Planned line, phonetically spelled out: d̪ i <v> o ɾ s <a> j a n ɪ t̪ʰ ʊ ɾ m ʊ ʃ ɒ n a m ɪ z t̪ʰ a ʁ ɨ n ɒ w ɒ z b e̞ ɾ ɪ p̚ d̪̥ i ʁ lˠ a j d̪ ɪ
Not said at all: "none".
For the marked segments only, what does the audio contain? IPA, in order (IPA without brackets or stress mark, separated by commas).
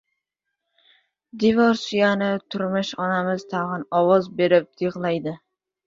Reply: v, i